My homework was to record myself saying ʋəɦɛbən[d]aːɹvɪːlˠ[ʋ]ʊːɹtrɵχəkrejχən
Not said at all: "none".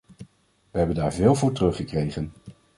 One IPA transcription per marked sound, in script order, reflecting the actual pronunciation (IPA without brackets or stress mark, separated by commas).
d, v